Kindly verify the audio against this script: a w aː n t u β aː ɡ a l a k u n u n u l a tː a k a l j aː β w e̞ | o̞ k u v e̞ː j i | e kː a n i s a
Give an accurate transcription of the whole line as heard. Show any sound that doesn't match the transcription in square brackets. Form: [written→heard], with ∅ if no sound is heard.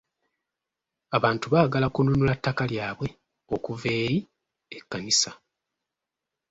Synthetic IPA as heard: a [w→β] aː n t u β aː ɡ a l a k u n u n u l a tː a k a l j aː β w e̞ | o̞ k u v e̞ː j i | e kː a n i s a